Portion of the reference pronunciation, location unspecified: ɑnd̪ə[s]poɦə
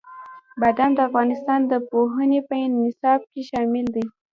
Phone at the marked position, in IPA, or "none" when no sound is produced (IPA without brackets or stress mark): none